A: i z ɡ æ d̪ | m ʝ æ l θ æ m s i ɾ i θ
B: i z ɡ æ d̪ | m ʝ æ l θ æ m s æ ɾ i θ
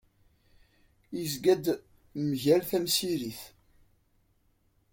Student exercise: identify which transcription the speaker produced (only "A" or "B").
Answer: A